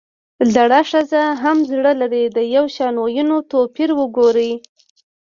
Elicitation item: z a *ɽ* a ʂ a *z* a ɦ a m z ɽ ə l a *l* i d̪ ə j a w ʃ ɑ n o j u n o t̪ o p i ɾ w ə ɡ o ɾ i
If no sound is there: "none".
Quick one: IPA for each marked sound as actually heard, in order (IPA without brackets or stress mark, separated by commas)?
ɽ, z, ɾ